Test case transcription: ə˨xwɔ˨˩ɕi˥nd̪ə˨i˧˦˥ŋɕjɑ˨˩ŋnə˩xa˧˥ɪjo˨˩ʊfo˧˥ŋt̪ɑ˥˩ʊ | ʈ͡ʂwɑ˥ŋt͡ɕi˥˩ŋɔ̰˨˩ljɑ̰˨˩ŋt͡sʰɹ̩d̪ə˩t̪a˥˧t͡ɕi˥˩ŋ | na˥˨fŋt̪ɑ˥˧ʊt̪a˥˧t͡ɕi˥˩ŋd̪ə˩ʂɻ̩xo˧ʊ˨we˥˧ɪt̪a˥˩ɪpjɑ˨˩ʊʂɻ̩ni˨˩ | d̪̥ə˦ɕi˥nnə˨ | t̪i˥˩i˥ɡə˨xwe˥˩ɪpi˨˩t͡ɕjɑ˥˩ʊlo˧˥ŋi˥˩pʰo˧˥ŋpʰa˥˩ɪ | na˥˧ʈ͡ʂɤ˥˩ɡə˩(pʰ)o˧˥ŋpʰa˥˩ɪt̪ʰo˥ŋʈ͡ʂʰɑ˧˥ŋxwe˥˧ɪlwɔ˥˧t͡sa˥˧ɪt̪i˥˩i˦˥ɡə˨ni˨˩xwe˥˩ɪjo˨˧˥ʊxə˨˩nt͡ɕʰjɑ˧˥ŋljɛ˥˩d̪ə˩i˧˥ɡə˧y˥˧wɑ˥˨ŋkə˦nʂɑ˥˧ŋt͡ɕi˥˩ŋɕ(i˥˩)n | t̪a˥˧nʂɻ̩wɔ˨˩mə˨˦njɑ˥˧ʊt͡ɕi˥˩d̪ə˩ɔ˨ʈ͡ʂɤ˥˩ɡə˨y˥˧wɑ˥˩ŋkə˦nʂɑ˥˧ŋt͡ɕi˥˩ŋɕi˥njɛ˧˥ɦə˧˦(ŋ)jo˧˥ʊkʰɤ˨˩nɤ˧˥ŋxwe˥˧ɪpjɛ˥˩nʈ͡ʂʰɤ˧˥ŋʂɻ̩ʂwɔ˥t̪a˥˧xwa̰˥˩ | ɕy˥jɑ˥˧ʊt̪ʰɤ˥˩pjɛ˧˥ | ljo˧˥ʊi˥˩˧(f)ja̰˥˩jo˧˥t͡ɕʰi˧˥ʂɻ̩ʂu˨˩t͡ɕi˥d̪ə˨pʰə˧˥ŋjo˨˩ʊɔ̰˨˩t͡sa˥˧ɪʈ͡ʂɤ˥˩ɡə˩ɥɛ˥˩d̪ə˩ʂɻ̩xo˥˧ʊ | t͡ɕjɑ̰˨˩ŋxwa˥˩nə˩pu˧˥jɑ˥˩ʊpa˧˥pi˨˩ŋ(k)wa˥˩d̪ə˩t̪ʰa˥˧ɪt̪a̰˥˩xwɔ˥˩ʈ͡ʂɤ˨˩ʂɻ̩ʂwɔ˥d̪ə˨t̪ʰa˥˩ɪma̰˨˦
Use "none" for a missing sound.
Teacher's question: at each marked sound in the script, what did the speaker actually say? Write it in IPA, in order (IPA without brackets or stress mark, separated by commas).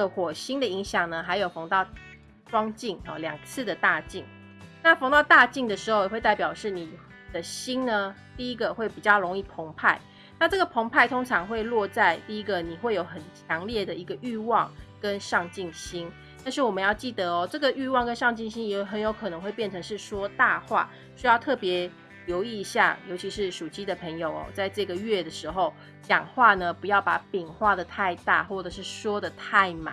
pʰ, i˥, n, ɕ, x